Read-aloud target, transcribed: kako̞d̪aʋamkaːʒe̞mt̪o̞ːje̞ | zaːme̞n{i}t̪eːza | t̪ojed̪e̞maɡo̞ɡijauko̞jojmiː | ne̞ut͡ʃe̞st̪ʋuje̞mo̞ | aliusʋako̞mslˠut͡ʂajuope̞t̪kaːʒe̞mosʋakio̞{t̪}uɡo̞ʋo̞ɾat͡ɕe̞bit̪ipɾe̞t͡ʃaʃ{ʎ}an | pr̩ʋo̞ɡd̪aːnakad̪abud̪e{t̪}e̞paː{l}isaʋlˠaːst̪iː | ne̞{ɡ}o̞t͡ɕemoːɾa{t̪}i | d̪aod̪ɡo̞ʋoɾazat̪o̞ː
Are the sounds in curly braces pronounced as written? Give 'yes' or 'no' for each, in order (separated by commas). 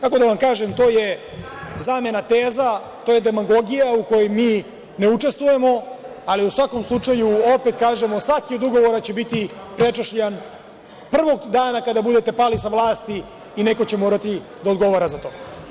no, no, yes, yes, yes, no, yes